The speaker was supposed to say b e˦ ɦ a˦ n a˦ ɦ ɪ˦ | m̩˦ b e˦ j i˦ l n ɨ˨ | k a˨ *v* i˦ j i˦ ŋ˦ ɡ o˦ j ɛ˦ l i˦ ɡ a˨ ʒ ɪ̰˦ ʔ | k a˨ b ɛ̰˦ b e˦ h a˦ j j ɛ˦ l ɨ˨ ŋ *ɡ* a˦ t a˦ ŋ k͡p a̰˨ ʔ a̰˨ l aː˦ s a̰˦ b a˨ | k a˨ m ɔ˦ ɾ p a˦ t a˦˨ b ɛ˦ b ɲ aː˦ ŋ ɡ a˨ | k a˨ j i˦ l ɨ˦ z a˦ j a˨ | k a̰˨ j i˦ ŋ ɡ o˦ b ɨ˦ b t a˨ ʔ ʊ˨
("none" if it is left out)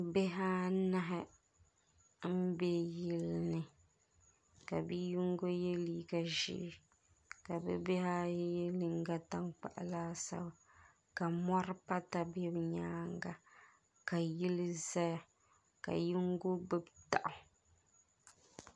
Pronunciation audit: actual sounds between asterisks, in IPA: b, ɡ

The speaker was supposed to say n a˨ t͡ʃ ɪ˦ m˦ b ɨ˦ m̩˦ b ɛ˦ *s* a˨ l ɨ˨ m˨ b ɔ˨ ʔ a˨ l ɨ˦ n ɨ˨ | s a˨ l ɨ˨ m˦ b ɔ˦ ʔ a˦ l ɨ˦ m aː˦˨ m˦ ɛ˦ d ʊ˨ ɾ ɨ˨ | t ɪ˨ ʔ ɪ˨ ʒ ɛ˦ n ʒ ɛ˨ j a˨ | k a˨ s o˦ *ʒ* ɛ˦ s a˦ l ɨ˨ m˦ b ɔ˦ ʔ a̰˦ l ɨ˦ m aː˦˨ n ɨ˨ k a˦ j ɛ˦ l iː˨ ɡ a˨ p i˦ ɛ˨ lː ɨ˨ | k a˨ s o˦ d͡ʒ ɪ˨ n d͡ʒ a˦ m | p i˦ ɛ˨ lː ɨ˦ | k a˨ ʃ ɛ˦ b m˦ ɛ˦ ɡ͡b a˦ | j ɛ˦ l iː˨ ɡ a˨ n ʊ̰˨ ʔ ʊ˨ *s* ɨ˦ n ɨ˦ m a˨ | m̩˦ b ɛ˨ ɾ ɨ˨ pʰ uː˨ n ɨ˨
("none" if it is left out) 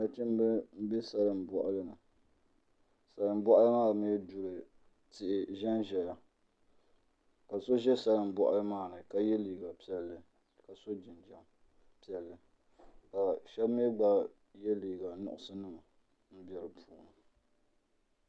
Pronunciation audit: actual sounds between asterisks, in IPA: s, ʒ, s

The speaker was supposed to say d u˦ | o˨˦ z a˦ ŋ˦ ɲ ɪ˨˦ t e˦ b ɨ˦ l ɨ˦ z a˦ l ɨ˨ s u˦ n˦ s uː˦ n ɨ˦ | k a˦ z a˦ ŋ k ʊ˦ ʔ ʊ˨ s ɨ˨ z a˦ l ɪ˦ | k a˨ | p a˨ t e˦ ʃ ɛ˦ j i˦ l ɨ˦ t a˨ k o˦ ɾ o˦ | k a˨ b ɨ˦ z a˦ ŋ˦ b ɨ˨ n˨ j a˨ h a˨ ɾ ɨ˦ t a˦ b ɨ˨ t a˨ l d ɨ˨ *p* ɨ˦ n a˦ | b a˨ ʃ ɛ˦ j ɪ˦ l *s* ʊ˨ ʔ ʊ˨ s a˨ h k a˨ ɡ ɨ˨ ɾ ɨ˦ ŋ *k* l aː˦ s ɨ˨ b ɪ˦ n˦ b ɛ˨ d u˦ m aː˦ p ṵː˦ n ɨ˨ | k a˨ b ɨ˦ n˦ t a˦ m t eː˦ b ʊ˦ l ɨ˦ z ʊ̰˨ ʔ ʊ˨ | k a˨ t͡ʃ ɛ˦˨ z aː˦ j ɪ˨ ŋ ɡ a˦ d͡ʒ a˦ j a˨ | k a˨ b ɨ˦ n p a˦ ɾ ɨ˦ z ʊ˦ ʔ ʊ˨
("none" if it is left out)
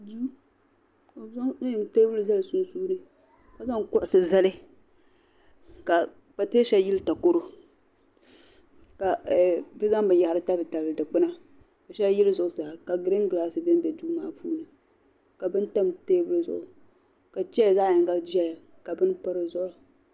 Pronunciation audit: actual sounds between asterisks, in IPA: k͡p, z, ɡ

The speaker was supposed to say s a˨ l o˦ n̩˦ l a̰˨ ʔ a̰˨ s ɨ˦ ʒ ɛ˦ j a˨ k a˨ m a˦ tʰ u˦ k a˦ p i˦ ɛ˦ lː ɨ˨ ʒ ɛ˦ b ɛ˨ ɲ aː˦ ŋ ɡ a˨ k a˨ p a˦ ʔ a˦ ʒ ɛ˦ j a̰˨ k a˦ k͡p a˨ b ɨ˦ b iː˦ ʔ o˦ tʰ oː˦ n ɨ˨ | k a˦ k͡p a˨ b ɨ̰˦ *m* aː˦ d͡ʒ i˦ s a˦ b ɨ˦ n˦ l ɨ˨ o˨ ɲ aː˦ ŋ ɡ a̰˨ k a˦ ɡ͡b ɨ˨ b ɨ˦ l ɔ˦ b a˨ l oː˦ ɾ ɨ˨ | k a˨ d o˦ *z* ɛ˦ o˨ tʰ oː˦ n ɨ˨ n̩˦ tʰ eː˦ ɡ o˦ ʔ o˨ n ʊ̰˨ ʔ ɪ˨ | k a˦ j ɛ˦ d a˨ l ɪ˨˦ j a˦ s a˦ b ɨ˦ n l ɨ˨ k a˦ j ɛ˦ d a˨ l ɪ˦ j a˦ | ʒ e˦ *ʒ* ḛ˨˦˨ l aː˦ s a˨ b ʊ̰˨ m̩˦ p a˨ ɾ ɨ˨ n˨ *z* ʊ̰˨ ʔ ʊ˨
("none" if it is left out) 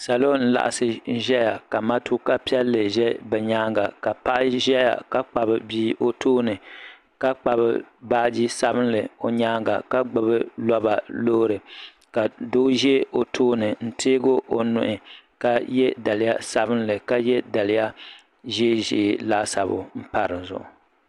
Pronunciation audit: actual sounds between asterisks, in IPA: b, ʒ, ʒ, z

